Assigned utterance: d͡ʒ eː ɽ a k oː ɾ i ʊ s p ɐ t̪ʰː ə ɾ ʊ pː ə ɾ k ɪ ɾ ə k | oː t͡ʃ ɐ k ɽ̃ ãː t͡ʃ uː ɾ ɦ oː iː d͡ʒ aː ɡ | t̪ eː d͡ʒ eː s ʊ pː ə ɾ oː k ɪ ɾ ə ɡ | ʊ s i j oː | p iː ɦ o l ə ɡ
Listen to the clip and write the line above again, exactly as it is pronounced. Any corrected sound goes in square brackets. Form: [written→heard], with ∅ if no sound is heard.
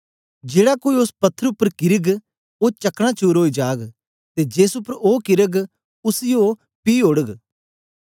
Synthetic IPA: d͡ʒ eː ɽ a k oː [ɾ→∅] i ʊ s p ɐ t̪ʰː ə ɾ ʊ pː ə ɾ k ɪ ɾ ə [k→ɡ] | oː t͡ʃ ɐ k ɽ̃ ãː t͡ʃ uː ɾ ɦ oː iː d͡ʒ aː ɡ | t̪ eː d͡ʒ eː s ʊ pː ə ɾ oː k ɪ ɾ ə ɡ | ʊ s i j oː | p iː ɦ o [l→ɽ] ə ɡ